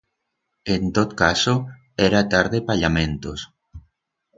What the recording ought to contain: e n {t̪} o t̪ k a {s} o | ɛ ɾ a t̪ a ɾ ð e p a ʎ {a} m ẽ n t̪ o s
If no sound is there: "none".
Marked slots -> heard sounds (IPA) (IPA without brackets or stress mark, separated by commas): t̪, s, a